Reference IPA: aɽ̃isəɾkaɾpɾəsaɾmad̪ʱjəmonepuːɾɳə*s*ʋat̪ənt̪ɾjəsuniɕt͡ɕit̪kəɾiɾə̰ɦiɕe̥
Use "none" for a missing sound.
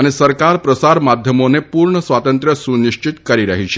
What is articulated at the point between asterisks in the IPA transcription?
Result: s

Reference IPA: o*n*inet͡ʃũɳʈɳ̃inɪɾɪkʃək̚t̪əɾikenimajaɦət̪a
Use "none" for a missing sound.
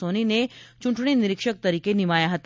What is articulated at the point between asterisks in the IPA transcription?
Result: n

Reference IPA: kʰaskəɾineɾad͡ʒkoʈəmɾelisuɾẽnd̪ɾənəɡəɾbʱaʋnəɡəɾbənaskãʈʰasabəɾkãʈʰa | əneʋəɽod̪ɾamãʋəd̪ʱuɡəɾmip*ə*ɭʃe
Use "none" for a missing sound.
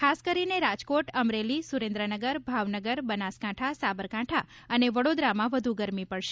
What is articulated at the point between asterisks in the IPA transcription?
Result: ə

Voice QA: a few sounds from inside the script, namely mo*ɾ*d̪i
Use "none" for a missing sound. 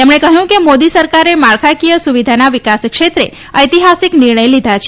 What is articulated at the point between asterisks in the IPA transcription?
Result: none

